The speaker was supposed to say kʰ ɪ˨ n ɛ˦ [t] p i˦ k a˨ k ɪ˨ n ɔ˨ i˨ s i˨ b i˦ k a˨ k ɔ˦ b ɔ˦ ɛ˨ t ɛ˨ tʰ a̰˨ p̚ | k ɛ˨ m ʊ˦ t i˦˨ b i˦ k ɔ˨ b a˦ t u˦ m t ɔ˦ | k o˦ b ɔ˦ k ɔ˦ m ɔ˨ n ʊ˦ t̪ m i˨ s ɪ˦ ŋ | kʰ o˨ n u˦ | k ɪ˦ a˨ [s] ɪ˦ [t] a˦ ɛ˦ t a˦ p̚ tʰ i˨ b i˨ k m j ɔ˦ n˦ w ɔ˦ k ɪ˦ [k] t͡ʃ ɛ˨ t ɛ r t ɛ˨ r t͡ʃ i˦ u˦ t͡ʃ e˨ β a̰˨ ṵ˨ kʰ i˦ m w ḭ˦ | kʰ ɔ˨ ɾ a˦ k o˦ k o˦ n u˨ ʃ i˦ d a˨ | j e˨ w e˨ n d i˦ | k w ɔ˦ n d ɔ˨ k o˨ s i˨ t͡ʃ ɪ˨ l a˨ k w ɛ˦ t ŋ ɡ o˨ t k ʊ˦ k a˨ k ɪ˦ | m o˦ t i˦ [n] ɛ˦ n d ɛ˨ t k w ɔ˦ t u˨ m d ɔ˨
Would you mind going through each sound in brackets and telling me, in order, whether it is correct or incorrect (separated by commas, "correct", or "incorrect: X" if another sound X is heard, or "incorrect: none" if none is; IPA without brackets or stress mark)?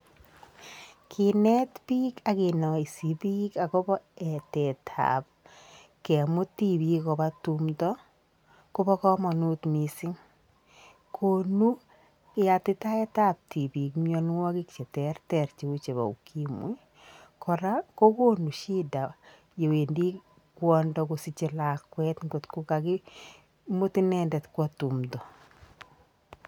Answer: correct, incorrect: t, correct, correct, correct